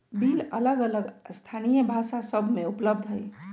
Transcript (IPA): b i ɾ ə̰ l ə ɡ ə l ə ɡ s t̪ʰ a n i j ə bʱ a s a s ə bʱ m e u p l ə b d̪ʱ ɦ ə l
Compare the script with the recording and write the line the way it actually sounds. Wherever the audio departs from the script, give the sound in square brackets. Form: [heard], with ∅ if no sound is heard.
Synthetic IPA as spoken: b i [l] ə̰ l ə ɡ ə l ə ɡ s t̪ʰ a n i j ə bʱ a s a s ə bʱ m e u p l ə b d̪ʱ ɦ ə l